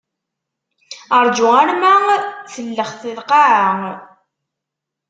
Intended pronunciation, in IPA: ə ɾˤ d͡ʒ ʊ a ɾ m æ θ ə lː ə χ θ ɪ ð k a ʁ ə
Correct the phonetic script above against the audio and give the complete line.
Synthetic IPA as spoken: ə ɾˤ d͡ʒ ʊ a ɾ m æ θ ə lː ə χ θ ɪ ð q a ʕ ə